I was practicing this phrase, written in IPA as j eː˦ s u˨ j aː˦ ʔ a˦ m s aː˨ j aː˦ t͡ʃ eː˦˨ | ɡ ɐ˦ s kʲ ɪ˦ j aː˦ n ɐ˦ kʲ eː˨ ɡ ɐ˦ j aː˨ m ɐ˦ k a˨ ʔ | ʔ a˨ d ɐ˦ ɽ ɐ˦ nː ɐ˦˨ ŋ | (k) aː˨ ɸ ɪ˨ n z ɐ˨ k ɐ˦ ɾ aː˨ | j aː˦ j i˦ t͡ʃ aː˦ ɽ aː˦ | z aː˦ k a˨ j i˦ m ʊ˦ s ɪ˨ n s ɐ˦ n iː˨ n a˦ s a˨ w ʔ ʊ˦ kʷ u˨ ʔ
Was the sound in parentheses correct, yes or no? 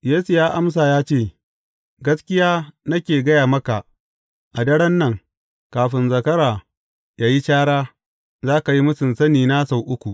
yes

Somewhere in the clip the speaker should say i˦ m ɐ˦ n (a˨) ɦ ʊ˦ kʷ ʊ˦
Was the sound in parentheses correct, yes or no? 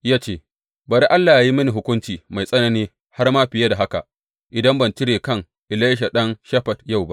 no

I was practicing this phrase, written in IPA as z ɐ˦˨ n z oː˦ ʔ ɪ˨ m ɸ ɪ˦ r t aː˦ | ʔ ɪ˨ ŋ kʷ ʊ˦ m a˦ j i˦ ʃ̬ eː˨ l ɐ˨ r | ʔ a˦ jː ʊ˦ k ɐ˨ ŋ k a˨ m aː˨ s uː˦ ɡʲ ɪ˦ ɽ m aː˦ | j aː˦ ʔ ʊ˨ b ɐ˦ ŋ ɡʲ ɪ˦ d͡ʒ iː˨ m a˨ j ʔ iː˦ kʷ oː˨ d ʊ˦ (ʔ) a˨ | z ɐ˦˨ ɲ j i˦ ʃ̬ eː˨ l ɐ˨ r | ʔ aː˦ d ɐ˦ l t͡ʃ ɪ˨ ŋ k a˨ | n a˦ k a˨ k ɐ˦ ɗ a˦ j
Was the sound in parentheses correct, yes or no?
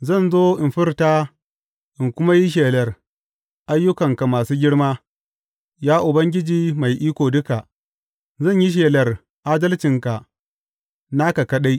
no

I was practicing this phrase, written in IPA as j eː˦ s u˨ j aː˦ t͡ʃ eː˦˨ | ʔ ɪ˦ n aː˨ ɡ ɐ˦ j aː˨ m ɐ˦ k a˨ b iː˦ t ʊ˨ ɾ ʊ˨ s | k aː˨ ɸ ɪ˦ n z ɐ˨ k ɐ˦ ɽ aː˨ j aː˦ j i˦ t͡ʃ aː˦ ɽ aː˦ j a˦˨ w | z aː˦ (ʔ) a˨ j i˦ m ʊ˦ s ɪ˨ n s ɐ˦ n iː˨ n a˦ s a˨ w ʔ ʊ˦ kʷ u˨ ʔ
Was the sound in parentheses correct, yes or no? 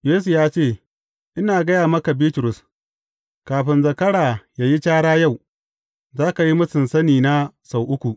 no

